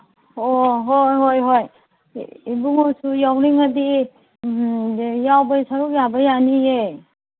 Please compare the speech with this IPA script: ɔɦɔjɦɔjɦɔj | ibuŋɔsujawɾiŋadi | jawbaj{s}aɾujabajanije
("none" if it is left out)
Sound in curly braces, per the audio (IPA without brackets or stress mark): s